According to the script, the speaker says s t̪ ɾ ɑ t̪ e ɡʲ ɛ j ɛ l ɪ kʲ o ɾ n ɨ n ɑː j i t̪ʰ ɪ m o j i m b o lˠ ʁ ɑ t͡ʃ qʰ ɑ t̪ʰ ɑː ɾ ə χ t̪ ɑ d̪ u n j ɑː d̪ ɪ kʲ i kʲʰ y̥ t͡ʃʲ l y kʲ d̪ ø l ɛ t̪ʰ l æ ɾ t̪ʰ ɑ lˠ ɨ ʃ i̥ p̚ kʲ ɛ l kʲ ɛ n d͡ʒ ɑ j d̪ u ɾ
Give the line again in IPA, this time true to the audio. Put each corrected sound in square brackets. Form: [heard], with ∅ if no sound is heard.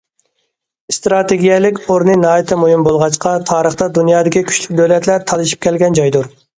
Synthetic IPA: s t̪ ɾ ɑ t̪ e ɡʲ [i] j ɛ l ɪ kʲ o ɾ n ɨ n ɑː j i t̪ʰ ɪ m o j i m b o lˠ ʁ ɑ t͡ʃ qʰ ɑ t̪ʰ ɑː ɾ ə χ t̪ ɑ d̪ u n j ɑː d̪ ɪ kʲ i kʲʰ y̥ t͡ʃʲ l y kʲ d̪ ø l ɛ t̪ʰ l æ ɾ t̪ʰ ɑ lˠ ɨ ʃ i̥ p̚ kʲ ɛ l [ɡʲ] ɛ n d͡ʒ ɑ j d̪ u ɾ